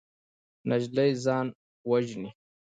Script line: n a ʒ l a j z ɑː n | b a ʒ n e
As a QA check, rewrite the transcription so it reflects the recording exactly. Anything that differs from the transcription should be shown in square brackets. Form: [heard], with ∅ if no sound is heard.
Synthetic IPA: n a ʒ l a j z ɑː n | [w] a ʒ n [i]